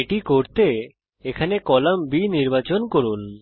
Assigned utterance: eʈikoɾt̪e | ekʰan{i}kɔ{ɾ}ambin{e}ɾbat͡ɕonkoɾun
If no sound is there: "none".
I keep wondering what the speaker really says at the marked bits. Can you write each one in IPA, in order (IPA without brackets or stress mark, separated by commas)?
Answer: e, l, i